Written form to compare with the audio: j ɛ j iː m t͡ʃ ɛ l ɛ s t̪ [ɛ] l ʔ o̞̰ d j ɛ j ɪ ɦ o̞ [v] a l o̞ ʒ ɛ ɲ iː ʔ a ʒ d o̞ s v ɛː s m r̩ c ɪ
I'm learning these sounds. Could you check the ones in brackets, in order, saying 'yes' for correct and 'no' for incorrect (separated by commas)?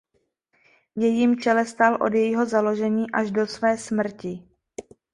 no, no